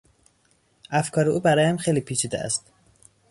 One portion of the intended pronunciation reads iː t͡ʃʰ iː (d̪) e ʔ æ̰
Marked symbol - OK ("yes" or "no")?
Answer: yes